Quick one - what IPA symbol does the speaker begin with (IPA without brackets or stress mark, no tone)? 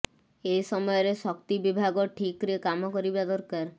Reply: e